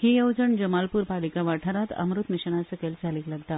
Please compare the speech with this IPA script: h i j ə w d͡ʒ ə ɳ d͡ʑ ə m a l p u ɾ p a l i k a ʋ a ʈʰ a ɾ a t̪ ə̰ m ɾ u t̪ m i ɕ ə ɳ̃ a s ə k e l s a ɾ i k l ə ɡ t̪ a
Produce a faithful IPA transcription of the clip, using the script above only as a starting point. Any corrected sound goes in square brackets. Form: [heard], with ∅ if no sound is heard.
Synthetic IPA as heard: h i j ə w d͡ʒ ə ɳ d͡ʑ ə m a l p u ɾ p a l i k a ʋ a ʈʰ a ɾ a t̪ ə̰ m ɾ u t̪ m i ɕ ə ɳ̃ a s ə k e l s a [l] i k l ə ɡ t̪ a